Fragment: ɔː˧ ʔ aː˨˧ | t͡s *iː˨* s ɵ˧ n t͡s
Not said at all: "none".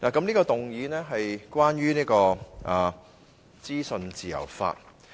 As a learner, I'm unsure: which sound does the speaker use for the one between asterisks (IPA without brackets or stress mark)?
iː˥